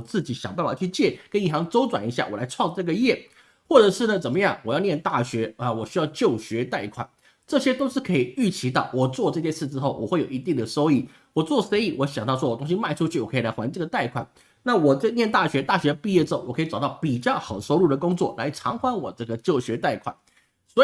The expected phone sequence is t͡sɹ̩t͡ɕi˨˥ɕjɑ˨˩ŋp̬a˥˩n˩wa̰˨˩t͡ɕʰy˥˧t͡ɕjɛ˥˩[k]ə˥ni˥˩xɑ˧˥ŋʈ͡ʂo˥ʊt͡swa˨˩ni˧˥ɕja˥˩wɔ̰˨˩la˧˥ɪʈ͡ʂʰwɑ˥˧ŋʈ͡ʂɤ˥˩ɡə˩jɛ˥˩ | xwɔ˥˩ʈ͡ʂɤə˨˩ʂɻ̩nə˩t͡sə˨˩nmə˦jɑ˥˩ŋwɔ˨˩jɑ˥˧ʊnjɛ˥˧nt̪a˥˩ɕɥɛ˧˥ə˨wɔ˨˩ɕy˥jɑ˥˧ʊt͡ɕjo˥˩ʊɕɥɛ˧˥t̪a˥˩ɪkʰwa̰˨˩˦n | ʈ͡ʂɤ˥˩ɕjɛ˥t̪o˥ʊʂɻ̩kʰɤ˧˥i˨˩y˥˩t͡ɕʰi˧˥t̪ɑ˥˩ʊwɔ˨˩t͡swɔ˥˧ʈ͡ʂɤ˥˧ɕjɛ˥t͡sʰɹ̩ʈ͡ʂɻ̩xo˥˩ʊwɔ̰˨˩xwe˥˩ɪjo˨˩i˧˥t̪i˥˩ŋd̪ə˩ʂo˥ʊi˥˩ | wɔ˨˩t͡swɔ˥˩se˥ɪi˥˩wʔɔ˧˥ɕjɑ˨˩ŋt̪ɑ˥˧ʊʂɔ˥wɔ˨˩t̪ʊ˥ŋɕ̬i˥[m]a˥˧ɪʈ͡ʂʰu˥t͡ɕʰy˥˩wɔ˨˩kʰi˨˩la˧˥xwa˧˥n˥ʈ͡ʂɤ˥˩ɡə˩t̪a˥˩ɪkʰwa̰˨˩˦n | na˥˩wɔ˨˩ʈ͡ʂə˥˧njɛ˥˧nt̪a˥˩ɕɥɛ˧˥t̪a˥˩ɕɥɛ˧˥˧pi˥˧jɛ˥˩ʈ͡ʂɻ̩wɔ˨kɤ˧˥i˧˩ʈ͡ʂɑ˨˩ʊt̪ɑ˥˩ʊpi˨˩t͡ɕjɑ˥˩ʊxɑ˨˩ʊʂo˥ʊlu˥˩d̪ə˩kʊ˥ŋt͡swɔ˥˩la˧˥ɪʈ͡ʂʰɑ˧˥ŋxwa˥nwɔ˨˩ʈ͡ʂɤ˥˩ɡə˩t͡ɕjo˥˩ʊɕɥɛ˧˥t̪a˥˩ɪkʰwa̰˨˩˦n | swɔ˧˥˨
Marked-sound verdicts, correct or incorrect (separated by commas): correct, correct